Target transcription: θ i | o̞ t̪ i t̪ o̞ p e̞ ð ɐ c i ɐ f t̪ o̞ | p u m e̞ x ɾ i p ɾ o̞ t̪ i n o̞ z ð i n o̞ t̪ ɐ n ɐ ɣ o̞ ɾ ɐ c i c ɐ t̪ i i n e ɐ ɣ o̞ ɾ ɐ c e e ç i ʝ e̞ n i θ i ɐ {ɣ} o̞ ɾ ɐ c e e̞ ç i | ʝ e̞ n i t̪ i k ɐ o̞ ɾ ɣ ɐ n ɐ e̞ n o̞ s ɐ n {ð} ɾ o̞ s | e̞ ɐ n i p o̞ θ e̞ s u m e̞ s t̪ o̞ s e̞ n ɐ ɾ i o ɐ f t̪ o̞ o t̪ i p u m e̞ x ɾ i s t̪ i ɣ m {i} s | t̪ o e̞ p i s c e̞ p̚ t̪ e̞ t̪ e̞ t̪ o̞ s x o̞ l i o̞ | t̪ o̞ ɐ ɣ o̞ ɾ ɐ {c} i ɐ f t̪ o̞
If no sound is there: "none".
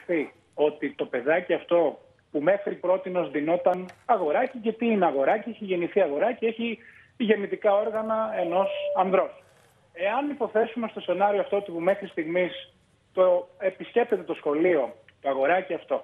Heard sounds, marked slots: ɣ, ð, i, c

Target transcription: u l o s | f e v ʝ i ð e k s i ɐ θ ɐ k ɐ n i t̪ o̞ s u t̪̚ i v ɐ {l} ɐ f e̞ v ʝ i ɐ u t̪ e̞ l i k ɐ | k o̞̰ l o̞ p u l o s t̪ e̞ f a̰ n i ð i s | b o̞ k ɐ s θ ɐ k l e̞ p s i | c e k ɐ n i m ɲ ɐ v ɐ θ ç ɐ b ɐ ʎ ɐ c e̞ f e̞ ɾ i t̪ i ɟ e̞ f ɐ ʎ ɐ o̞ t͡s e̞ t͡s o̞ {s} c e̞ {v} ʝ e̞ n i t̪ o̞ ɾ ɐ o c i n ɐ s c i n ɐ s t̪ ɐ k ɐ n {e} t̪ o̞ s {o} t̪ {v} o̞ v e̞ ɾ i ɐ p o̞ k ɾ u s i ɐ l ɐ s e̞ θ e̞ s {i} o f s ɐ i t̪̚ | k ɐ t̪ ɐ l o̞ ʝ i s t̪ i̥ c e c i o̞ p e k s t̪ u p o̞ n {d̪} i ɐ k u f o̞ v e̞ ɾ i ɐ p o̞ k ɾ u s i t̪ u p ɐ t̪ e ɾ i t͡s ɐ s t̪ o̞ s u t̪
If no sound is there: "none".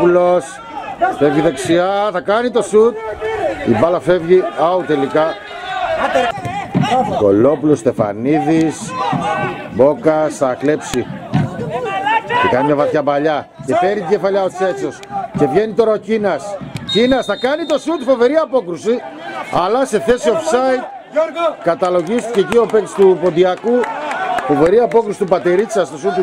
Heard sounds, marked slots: l, s, v, i, u, f, i, d̪

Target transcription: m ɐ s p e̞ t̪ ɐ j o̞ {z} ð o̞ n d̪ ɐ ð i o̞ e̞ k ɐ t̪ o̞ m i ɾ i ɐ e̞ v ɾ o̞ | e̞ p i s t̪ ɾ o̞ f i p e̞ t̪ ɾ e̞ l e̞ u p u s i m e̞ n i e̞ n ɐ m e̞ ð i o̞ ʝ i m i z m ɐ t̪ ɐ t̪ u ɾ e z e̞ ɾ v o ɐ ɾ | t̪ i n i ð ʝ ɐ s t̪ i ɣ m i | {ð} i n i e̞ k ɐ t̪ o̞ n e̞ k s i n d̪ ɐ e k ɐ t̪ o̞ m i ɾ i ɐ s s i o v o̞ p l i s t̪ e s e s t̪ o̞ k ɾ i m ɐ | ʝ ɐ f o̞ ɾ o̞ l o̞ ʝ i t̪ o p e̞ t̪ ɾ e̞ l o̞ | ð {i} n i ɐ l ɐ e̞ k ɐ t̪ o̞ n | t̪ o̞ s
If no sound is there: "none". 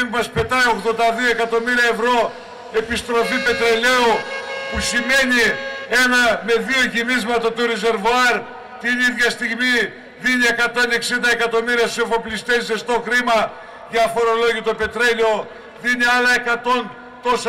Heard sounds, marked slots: ɣ, ð, i

